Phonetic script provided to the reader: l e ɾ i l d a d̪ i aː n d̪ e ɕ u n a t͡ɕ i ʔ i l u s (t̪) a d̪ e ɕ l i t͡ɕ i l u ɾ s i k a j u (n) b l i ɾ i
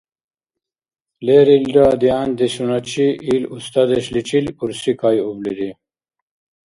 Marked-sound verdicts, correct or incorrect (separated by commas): correct, incorrect